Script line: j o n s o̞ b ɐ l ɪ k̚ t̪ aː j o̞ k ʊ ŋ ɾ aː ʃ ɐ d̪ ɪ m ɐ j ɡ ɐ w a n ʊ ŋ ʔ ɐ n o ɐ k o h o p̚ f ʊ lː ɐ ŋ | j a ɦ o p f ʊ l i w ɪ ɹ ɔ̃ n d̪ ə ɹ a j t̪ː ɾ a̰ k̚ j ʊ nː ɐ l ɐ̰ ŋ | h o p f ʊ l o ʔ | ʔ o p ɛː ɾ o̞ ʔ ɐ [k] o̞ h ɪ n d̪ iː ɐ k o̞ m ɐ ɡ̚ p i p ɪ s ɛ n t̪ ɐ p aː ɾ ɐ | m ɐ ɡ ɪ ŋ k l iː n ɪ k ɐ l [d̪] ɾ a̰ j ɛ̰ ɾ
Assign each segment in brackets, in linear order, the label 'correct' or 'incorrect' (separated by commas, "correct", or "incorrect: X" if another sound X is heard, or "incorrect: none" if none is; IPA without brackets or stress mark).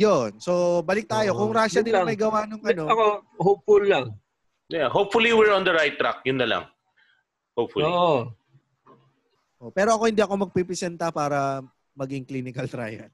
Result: correct, incorrect: t̪